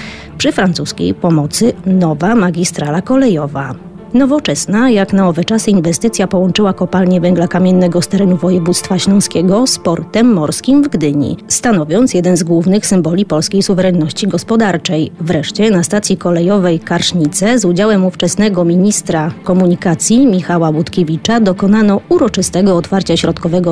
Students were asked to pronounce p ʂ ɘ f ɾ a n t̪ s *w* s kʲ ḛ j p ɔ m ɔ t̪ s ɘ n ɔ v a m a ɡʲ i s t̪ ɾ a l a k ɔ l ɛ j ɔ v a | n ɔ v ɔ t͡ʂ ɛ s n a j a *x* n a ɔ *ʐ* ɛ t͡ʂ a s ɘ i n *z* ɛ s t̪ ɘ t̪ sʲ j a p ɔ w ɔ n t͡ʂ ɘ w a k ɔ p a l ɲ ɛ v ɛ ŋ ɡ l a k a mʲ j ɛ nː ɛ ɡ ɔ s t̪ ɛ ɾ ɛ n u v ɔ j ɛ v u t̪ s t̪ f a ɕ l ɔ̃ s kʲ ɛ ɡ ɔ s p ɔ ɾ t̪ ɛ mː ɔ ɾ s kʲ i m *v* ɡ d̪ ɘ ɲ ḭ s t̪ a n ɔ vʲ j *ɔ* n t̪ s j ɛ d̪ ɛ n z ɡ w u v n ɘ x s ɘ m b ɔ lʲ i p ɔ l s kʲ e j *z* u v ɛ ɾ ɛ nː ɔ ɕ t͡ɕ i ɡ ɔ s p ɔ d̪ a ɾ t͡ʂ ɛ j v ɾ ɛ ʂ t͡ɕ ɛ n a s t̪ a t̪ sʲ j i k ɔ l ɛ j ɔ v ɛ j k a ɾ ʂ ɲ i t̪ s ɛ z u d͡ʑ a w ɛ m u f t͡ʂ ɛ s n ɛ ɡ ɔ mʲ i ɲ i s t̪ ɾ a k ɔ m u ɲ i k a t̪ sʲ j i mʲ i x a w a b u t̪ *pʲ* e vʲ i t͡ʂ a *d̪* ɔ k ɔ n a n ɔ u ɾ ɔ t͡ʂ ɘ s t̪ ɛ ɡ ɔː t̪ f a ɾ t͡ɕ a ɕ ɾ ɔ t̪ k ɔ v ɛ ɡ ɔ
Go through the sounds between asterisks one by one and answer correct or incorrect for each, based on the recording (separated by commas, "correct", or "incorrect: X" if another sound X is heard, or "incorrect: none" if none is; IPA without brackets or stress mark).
incorrect: u, incorrect: k, incorrect: v, incorrect: v, correct, correct, incorrect: s, incorrect: kʲ, correct